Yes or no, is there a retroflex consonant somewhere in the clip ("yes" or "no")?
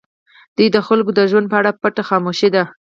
yes